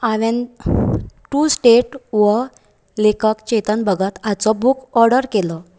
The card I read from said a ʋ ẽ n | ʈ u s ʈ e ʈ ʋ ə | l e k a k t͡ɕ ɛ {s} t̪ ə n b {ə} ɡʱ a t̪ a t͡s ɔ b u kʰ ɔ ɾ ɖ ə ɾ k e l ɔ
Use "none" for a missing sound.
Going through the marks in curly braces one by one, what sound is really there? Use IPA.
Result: none, ə

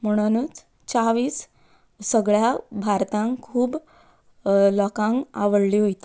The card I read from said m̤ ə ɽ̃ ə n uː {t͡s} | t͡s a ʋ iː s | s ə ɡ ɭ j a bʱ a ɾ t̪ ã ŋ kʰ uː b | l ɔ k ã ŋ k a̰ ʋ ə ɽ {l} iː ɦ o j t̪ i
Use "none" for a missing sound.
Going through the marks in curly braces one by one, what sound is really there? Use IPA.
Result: t͡s, l

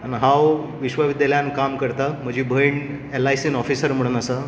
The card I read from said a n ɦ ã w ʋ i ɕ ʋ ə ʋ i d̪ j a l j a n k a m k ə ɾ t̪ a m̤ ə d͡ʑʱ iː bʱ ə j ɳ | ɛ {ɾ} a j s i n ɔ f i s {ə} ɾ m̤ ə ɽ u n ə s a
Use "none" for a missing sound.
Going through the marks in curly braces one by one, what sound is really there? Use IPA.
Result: l, ə

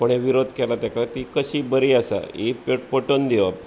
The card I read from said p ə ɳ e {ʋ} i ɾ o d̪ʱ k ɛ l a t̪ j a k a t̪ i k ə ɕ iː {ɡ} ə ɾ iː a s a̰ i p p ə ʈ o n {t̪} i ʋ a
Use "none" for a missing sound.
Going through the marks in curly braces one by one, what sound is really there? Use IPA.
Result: ʋ, b, d̪

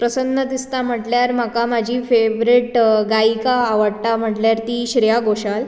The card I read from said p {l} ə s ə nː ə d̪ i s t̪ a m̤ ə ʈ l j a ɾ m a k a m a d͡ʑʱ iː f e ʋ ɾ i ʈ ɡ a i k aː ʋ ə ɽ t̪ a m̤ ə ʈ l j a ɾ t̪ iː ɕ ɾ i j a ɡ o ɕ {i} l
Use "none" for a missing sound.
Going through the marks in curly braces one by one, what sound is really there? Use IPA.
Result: ɾ, a

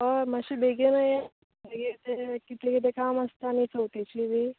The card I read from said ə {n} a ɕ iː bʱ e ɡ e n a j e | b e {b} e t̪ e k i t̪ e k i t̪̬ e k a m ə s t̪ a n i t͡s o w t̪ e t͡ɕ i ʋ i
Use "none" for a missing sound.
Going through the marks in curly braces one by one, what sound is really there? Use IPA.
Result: m, ɡ

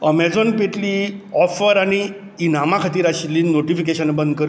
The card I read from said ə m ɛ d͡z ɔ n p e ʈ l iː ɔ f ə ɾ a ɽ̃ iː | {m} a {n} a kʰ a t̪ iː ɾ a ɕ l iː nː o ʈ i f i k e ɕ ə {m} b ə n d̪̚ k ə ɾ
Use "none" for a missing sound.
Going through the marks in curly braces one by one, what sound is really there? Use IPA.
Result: n, m, n

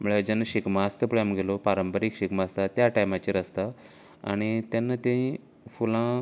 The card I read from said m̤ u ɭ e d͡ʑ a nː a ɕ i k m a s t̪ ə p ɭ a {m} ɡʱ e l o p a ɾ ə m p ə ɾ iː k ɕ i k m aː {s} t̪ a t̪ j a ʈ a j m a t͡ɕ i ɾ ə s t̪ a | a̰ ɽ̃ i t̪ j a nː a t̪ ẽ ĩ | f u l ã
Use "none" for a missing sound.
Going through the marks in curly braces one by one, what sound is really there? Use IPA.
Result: m, s

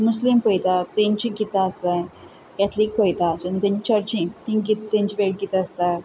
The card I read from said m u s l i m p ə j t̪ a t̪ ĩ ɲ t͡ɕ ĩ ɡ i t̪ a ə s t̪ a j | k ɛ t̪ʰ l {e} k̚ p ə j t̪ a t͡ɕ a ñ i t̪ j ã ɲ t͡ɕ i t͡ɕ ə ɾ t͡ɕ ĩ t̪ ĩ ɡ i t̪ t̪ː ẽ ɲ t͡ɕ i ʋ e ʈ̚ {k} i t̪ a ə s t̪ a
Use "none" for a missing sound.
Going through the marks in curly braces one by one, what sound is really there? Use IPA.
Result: i, ɡ

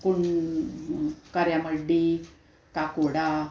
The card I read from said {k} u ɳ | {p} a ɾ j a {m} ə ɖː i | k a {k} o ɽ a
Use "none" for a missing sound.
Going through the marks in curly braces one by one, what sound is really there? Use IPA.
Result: k, k, m, k

